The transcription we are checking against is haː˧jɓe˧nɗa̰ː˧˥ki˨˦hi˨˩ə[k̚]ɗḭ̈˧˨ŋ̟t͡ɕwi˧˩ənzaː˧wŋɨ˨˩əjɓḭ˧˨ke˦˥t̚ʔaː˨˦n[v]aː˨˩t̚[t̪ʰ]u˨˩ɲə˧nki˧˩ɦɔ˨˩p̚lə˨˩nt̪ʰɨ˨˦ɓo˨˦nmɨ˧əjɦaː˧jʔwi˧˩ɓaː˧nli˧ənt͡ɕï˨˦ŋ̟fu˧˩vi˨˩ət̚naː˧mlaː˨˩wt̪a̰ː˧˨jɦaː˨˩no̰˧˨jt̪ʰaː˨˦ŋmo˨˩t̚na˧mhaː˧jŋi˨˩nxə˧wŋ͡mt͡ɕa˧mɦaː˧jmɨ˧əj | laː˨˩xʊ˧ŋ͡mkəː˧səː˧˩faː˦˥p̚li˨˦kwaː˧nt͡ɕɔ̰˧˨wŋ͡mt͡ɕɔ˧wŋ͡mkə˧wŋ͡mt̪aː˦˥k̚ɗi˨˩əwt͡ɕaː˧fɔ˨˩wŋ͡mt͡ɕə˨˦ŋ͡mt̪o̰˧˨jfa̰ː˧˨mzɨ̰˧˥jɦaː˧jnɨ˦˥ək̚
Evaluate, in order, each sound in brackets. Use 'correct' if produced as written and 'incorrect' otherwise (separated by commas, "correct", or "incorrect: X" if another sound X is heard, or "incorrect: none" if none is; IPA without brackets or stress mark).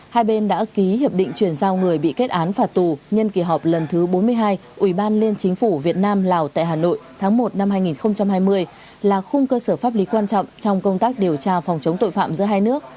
incorrect: p̚, incorrect: f, incorrect: t̪